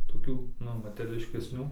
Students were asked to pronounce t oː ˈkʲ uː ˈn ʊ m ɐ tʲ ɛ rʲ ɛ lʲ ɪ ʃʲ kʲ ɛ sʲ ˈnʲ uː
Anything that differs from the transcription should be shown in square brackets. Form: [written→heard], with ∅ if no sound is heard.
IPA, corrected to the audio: t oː ˈkʲ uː ˈn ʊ m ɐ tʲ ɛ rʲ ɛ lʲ ɪ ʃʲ kʲ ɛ sʲ ˈnʲ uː